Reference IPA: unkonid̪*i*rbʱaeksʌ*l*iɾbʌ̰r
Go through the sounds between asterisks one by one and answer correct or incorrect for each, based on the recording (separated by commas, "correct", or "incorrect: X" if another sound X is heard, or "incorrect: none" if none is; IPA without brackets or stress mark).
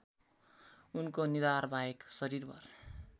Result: incorrect: a, incorrect: ɾ